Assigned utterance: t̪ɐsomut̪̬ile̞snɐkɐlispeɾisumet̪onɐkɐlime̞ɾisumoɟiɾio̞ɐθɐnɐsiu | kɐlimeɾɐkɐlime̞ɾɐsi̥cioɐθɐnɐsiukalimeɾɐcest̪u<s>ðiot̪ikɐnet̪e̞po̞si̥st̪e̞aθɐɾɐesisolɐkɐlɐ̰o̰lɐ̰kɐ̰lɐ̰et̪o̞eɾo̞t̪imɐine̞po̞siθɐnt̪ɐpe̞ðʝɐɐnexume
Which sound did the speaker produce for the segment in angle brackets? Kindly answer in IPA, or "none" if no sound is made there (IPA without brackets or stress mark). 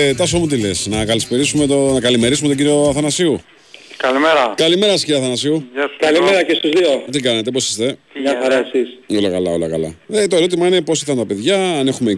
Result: z